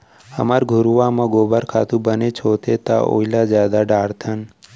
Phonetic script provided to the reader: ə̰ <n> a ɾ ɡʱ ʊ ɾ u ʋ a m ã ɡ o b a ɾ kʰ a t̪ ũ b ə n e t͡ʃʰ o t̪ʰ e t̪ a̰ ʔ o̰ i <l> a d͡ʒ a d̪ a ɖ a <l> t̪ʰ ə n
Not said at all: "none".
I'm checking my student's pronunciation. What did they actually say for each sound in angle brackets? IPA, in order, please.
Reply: m, l, ɾ

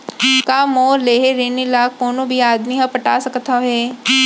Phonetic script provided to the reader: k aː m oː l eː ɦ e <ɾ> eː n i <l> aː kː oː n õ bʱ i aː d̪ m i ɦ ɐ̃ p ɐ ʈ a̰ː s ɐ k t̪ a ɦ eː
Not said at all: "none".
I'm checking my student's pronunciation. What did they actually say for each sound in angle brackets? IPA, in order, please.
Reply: ɾ, l

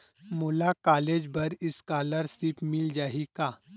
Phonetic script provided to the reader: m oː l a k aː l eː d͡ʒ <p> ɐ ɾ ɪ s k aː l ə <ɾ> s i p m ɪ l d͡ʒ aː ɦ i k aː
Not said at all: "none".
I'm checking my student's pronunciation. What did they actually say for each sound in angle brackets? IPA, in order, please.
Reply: b, ɾ

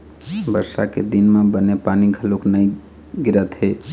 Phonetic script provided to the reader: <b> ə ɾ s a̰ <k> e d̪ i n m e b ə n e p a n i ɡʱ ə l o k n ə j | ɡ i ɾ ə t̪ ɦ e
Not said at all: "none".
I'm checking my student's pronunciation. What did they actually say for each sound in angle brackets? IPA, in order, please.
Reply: b, k

